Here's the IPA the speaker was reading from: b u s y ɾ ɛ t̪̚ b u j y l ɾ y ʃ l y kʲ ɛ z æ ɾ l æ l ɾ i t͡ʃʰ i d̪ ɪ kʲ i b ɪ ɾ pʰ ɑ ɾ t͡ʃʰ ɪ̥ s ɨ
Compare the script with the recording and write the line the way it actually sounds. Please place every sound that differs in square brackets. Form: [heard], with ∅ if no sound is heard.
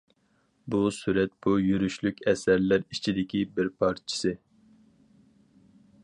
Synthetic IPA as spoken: b u s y ɾ ɛ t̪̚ b u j y [∅] ɾ y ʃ l y kʲ ɛ [s] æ ɾ l æ [∅] ɾ i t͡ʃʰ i d̪ ɪ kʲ i b ɪ ɾ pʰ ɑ ɾ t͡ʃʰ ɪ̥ s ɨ